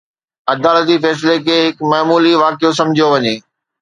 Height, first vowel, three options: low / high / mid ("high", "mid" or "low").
low